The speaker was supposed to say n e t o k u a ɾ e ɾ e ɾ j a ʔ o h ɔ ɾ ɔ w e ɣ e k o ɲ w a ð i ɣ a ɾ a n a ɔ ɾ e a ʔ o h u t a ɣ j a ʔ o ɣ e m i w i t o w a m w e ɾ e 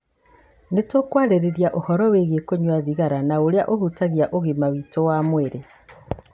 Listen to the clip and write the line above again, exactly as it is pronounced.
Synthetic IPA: n e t o k w a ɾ e ɾ e ɾ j a ʔ o h ɔ ɾ ɔ w e ɣ e k o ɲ w a ð i ɣ a ɾ a n a o ɾ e a ʔ o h u t a ɣ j a ʔ o ɣ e m a w i t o w a m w e ɾ e